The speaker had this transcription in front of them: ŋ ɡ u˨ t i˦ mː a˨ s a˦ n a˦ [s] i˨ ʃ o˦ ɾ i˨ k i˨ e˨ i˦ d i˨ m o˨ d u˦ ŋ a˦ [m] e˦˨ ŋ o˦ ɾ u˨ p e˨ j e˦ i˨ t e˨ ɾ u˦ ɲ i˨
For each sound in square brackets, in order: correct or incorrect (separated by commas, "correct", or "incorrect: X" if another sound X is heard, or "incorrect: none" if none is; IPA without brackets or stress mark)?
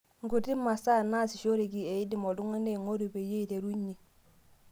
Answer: correct, incorrect: n